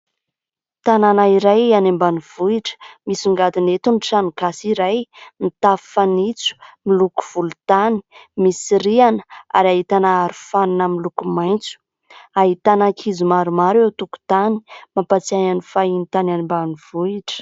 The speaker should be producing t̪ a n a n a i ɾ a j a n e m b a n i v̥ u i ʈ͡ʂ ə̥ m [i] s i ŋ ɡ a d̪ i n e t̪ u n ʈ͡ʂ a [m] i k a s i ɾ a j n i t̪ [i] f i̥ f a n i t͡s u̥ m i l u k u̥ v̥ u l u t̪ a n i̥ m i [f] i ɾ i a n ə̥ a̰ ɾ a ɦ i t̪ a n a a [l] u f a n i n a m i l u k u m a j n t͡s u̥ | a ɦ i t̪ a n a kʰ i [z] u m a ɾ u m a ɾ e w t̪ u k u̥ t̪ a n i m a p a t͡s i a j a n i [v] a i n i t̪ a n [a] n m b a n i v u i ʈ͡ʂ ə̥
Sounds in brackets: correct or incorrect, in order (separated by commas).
correct, incorrect, incorrect, incorrect, incorrect, correct, incorrect, correct